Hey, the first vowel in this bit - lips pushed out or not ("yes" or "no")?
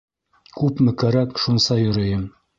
yes